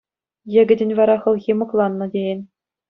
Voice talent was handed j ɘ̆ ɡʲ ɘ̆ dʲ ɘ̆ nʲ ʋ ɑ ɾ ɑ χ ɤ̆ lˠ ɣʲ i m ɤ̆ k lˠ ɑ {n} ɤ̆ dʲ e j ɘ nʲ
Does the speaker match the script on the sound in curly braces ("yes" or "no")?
no